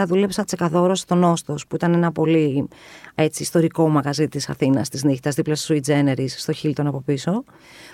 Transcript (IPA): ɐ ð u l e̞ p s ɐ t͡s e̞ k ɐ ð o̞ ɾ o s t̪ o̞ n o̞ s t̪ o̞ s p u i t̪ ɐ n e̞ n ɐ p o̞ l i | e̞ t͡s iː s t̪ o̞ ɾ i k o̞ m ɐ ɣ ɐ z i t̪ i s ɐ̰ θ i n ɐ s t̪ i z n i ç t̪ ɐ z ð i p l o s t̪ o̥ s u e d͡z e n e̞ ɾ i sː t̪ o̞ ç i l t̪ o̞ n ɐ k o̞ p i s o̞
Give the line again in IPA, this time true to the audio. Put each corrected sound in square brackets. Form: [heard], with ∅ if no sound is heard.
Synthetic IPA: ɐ ð u l e̞ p s ɐ t͡s e̞ k ɐ ð o̞ ɾ o s t̪ o̞ n o̞ s t̪ o̞ s p u i t̪ ɐ n e̞ n ɐ p o̞ l i | e̞ t͡s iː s t̪ o̞ ɾ i k o̞ m ɐ ɣ ɐ z i t̪ i s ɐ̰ θ i n ɐ s t̪ i z n i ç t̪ ɐ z ð i p l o s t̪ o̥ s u [i] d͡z e n e̞ ɾ i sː t̪ o̞ ç i l t̪ o̞ n ɐ [p] o̞ p i s o̞